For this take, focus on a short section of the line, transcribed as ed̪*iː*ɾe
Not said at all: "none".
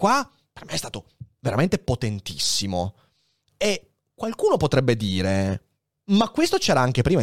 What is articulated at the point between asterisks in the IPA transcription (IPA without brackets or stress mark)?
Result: iː